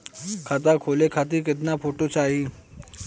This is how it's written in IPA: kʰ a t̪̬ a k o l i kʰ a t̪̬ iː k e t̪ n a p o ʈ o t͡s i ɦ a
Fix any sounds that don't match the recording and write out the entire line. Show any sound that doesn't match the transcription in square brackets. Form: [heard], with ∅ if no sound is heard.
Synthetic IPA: kʰ a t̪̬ a [kʰ] o l [e] kʰ a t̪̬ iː k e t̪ n a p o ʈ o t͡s [a] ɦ [i]